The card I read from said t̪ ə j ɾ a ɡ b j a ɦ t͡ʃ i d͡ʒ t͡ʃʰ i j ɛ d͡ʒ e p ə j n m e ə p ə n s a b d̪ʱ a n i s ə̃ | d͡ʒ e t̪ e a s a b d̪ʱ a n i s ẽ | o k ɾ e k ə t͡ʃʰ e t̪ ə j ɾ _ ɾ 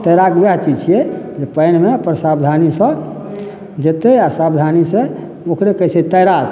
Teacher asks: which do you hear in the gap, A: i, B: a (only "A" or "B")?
B